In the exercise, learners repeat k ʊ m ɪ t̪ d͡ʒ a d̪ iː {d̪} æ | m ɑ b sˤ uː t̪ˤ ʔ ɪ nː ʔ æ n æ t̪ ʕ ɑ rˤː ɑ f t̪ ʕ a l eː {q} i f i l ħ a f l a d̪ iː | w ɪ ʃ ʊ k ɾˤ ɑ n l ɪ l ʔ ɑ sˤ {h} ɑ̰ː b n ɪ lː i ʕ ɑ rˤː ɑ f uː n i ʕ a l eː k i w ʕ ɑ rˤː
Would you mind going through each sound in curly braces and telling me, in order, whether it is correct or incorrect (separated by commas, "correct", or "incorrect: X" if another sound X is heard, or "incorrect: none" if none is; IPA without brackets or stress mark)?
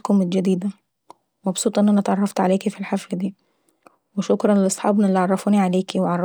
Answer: correct, incorrect: k, incorrect: ħ